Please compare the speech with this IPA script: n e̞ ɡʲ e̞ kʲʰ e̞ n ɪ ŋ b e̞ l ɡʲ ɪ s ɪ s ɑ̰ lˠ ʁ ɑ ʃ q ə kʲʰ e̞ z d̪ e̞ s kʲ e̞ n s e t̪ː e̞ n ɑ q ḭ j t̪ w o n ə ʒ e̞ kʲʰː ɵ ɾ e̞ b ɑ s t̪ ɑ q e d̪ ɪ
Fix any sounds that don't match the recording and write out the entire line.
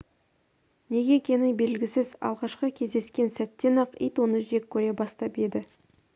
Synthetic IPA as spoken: n e̞ ɡʲ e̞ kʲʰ e̞ n ɪ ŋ b e̞ l ɡʲ ɪ s ɪ z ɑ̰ lˠ ʁ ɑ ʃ q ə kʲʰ e̞ z d̪ e̞ s kʲ e̞ n s æ t̪ː e̞ n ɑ q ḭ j t̪ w o n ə ʒ e̞ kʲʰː ɵ ɾ e̞ b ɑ s t̪ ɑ p e d̪ ɪ